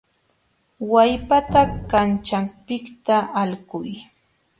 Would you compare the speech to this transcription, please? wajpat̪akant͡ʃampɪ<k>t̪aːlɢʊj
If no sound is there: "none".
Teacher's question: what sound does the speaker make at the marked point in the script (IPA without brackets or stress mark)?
k